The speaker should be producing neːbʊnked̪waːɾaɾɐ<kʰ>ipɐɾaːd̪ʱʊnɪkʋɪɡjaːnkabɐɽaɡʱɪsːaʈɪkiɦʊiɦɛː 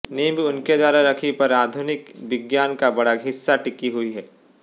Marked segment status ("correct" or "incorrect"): correct